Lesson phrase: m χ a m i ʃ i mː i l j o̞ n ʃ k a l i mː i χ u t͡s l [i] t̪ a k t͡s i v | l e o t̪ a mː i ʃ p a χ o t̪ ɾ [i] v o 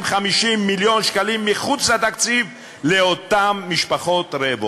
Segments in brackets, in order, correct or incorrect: incorrect: a, incorrect: e

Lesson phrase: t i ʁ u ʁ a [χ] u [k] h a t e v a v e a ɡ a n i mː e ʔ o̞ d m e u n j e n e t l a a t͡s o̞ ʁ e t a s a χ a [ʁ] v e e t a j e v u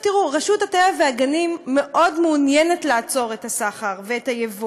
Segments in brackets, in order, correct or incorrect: incorrect: ʃ, incorrect: t, correct

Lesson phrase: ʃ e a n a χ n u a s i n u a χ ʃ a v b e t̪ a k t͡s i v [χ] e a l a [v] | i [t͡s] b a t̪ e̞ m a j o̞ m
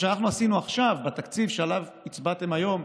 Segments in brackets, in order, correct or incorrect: incorrect: ʃ, correct, correct

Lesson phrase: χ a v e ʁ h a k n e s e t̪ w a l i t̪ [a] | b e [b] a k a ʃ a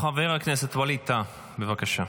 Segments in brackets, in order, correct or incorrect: correct, incorrect: v

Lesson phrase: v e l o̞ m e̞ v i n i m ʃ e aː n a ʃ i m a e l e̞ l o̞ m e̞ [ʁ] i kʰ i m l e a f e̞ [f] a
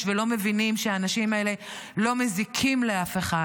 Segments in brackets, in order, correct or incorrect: incorrect: z, incorrect: χ

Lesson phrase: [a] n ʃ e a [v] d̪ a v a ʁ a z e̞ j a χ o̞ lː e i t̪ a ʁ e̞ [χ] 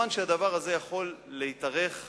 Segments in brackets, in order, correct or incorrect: correct, incorrect: none, correct

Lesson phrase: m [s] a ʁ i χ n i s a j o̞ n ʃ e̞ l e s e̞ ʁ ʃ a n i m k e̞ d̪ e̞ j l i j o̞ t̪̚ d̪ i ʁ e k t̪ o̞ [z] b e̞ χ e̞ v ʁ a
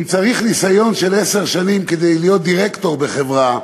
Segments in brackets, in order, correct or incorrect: incorrect: t͡s, incorrect: ʁ

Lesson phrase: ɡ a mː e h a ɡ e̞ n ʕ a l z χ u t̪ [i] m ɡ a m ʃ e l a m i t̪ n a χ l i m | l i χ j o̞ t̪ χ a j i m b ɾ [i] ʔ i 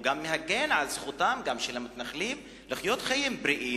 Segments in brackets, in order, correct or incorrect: incorrect: a, correct

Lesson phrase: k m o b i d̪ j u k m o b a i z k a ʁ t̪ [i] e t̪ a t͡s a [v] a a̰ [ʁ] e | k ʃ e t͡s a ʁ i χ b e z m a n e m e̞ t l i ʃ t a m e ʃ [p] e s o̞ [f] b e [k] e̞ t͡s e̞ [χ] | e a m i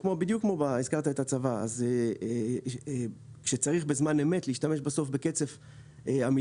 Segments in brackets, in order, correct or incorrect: incorrect: a, correct, incorrect: z, incorrect: b, correct, correct, incorrect: f

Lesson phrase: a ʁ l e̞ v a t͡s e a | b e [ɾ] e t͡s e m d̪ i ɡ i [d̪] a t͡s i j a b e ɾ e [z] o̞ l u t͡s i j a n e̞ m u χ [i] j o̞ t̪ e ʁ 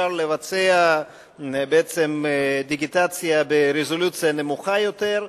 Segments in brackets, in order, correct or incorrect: incorrect: none, incorrect: t̪, correct, incorrect: a

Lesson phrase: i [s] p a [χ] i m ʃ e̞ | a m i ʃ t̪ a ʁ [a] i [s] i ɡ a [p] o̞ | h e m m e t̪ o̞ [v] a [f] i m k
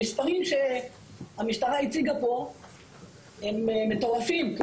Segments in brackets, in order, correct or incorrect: correct, incorrect: ʁ, correct, incorrect: t͡s, correct, incorrect: ʁ, correct

